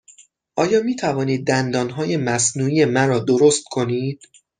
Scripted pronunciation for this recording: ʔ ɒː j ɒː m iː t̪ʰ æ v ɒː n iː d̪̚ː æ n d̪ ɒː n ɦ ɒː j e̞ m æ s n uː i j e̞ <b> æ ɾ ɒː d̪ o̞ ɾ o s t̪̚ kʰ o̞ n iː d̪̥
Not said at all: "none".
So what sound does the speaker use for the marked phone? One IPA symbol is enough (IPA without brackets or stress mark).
m